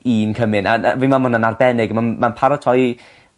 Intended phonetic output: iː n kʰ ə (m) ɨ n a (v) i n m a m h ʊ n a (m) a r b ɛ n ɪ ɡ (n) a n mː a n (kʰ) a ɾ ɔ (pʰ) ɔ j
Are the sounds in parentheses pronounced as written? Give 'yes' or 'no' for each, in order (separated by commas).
yes, yes, no, no, no, no